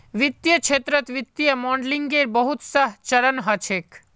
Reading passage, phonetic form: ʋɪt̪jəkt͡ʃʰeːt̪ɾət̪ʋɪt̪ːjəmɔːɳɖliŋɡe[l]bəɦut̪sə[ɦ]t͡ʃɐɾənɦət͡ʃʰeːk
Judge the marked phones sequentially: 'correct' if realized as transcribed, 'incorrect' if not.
incorrect, correct

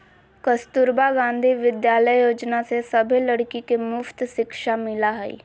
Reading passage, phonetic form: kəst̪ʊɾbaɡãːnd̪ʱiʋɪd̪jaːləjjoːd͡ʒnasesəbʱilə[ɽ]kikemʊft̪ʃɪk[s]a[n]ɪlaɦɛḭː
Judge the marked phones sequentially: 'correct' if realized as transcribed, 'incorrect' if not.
correct, incorrect, incorrect

